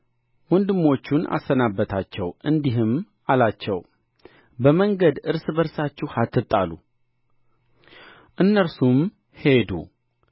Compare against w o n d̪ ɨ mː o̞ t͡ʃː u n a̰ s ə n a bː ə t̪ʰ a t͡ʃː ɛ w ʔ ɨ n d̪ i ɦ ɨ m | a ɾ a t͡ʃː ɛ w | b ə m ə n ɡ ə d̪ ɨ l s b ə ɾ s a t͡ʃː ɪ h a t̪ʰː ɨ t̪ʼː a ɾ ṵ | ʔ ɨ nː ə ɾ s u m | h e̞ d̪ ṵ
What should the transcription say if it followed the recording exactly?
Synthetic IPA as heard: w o n d̪ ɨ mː o̞ t͡ʃː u n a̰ s ə n a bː ə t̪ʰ a t͡ʃː ɛ w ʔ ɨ n d̪ i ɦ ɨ m | a l a t͡ʃː ɛ w | b ə m ə ŋ ɡ ə d̪ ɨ ɾ s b ə ɾ s a t͡ʃː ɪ h a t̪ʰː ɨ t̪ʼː a l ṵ | ʔ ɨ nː ə ɾ s u m | h e̞ d̪ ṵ